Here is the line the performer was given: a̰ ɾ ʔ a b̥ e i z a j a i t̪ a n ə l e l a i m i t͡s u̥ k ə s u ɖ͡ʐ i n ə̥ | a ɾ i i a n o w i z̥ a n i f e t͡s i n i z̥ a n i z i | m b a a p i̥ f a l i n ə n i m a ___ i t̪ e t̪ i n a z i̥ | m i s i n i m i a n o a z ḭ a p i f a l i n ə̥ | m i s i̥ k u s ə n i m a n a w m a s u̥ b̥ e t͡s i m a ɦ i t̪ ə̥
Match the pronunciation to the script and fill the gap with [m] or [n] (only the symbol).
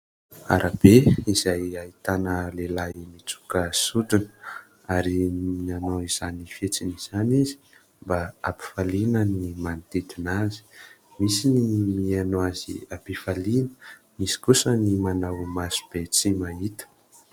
n